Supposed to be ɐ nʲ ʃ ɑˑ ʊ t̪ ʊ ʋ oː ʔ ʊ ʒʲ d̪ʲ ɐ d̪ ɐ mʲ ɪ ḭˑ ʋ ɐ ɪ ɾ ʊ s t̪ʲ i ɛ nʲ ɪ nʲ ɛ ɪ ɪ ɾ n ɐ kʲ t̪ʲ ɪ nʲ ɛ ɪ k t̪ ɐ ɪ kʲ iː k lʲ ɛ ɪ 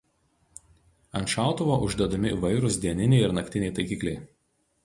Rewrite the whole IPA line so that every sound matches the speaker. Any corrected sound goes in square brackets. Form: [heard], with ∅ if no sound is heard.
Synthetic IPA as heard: ɐ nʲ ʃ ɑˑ ʊ t̪ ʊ ʋ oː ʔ ʊ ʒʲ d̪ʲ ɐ d̪ ɐ mʲ ɪ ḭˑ ʋ ɐ ɪ ɾ ʊ s [d̪ʲ] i ɛ nʲ ɪ nʲ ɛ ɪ ɪ ɾ n ɐ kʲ t̪ʲ ɪ nʲ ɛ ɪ [∅] t̪ ɐ ɪ kʲ iː k lʲ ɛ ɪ